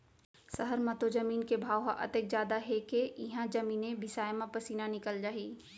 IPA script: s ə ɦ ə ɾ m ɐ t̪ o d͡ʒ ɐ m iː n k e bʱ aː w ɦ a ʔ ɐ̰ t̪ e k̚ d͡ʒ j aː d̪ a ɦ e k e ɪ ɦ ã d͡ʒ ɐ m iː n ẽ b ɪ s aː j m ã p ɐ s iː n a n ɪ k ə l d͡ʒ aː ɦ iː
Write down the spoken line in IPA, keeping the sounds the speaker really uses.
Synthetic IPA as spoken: s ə ɦ ə ɾ m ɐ t̪ o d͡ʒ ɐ m iː n k e bʱ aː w ɦ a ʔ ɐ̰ t̪ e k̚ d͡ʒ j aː d̪ a ɦ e k e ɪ ɦ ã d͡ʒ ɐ m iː n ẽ b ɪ s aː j m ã p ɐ s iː n a n ɪ k ə l d͡ʒ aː ɦ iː